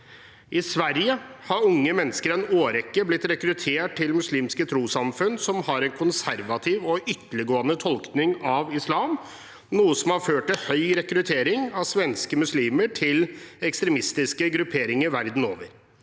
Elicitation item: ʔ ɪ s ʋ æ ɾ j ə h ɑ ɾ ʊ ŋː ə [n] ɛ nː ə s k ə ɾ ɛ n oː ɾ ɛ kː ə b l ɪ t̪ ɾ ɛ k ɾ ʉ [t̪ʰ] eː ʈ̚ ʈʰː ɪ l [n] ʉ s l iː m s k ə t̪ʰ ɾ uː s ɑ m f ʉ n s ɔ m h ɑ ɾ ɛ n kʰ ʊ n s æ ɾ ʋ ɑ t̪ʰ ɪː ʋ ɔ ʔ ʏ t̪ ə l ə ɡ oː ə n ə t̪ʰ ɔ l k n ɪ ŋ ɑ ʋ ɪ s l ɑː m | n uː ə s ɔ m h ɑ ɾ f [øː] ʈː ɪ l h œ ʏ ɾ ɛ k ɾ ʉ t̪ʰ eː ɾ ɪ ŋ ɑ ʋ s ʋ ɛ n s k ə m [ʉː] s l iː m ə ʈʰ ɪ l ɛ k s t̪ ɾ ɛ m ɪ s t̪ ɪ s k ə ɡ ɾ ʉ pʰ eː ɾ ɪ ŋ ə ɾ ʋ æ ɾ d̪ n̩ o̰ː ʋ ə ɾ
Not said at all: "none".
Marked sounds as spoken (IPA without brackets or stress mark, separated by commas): m, t̪ʰ, m, øː, ʉ